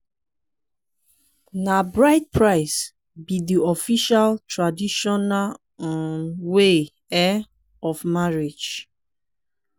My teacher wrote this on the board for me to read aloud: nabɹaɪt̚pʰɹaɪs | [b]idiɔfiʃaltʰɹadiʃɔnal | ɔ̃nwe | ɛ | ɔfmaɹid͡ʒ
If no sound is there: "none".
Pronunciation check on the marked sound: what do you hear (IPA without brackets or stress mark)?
b